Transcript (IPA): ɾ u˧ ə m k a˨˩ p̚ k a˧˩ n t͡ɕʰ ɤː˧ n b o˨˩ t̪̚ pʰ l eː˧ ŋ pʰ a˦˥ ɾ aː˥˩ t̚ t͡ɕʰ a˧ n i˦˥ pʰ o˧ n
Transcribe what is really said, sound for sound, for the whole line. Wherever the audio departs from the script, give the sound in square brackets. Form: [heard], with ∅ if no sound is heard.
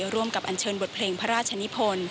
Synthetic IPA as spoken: ɾ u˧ ə m k a˨˩ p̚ [ʔ] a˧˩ n t͡ɕʰ ɤː˧ n b o˨˩ t̪̚ pʰ l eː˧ ŋ pʰ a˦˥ ɾ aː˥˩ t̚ t͡ɕʰ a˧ n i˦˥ pʰ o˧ n